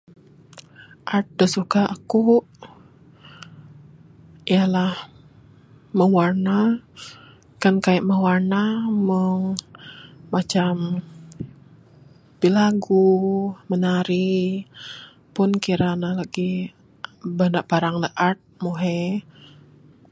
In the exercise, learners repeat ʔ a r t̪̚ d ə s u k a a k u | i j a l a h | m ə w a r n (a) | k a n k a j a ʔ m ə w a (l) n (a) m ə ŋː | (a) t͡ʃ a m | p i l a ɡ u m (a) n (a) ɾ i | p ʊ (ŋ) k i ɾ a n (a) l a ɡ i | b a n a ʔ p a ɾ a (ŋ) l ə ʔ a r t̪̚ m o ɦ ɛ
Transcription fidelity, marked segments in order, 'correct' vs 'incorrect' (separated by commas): correct, incorrect, correct, correct, incorrect, correct, incorrect, correct, correct